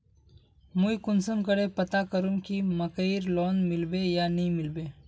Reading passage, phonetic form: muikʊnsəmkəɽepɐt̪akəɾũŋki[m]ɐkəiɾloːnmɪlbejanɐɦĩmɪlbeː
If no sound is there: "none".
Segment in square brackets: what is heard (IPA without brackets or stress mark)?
m